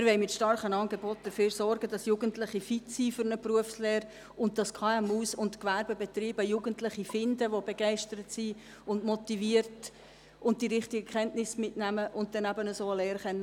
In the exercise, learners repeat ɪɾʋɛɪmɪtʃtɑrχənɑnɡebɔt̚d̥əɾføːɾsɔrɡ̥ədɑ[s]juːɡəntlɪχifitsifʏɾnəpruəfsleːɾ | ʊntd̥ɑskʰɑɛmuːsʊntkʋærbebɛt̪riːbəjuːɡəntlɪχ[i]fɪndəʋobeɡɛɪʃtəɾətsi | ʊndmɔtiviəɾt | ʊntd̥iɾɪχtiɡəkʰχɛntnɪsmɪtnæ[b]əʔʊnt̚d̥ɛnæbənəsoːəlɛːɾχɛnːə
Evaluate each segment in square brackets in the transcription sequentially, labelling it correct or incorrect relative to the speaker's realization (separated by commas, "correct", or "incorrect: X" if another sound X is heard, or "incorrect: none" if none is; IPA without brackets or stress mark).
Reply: correct, correct, incorrect: m